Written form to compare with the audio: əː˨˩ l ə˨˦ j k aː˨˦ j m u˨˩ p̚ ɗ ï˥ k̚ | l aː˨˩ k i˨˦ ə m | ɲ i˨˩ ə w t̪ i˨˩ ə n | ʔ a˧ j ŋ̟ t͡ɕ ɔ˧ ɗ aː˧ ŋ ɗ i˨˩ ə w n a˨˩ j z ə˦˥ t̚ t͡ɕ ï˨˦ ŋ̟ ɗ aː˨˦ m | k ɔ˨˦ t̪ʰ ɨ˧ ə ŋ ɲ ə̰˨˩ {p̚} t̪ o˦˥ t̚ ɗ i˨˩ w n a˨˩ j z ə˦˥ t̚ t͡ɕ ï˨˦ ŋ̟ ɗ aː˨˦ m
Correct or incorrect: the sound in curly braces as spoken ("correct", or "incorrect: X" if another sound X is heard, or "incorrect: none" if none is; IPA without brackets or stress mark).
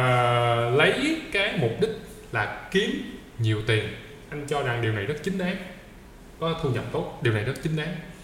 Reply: correct